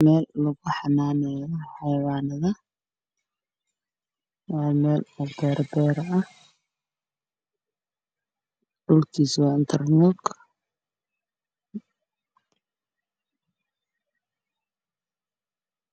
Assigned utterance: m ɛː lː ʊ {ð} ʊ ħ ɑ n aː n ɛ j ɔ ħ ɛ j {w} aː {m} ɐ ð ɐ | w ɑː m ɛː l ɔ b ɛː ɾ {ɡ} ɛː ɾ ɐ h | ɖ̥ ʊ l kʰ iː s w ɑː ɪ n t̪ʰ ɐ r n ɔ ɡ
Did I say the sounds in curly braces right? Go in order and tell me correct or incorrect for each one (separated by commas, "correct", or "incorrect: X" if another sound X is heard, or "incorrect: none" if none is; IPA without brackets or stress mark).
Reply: incorrect: ɣ, correct, incorrect: n, incorrect: b